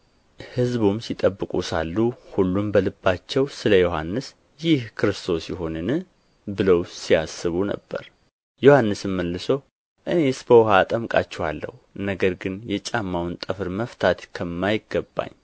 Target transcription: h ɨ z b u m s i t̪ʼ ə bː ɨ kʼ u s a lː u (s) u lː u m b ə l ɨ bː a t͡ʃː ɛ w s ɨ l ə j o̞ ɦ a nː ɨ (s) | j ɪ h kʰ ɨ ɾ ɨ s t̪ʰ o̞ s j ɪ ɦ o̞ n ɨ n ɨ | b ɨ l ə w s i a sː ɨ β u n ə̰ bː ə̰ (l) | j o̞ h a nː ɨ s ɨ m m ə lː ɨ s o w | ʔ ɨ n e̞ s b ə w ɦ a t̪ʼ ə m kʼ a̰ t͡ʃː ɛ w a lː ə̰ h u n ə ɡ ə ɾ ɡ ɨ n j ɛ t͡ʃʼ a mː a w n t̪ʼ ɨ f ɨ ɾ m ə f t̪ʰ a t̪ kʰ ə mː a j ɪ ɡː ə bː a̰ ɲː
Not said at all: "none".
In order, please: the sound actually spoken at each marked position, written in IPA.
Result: h, s, ɾ

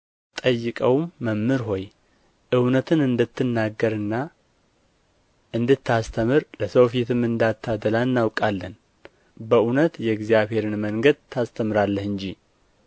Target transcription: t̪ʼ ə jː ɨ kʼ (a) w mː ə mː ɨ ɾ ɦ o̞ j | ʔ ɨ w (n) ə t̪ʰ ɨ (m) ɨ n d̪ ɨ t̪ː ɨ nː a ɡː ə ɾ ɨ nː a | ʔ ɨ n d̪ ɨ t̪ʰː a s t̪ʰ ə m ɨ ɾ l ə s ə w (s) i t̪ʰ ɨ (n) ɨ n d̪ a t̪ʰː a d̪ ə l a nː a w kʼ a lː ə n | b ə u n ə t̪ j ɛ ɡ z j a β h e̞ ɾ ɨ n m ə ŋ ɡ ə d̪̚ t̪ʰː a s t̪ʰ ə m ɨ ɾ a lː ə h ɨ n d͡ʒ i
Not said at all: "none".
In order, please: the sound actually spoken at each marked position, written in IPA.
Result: ə, n, n, f, m

